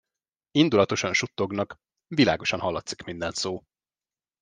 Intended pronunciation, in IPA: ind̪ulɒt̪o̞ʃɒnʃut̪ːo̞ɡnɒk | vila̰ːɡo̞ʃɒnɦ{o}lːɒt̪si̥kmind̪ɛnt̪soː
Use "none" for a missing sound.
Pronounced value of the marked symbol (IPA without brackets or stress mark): ɒ